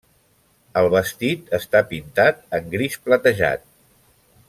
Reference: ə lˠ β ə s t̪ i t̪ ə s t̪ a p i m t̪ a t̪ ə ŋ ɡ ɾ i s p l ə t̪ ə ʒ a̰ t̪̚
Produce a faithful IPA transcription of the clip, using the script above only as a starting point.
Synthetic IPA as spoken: ə lˠ β ə s t̪ i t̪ ə s t̪ a p i n t̪ a t̪ ə ŋ ɡ ɾ i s p l ə t̪ ə ʒ a̰ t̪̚